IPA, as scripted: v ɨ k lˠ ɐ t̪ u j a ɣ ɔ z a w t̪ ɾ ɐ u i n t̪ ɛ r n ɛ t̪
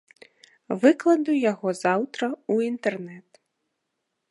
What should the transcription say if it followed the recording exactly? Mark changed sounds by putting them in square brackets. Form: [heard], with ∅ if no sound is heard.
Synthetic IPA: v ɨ k lˠ ɐ [d̪] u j a ɣ ɔ z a w t̪ ɾ ɐ u i n t̪ ɛ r n ɛ t̪